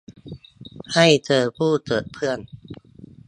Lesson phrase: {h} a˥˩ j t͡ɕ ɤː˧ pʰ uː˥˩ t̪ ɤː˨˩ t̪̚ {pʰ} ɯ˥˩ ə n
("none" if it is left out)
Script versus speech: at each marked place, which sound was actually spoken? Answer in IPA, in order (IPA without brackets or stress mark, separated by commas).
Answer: h, pʰ